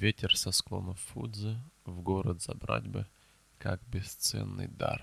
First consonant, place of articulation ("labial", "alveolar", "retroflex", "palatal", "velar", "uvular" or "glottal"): labial